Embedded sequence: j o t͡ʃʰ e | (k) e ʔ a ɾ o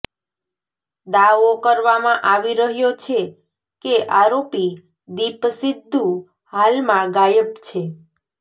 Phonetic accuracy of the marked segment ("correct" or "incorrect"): correct